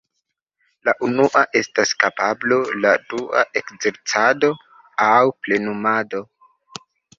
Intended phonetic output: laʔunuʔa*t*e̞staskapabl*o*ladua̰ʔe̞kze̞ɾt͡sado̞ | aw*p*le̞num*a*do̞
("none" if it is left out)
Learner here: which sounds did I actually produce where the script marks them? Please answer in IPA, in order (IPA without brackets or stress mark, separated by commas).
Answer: ʔ, o, p, a